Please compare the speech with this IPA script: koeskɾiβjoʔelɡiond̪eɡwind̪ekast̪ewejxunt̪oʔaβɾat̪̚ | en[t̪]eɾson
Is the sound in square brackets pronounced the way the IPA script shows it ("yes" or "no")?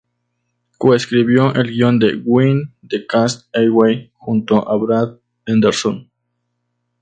no